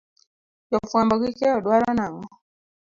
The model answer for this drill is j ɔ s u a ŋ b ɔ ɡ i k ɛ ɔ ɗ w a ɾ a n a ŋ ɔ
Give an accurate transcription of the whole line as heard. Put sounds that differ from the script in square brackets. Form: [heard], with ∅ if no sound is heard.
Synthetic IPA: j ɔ [f] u a [m] b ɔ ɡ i k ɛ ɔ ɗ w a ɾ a n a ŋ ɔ